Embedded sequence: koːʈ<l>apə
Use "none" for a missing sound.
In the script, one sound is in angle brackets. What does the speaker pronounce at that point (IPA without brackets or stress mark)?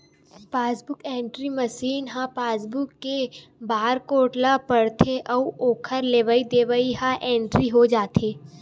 l